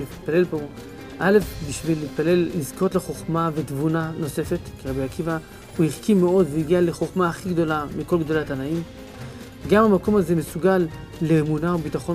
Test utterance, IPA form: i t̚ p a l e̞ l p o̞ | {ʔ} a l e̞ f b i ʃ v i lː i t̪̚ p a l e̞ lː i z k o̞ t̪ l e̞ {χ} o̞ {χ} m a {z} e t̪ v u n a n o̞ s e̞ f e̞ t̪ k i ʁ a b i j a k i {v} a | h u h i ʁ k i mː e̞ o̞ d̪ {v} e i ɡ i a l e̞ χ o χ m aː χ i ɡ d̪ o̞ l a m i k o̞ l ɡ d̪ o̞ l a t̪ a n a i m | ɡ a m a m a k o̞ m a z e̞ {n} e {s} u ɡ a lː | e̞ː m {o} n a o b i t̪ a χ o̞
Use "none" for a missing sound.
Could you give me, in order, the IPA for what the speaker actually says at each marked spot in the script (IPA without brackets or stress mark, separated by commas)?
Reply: ʔ, χ, χ, v, v, v, m, s, u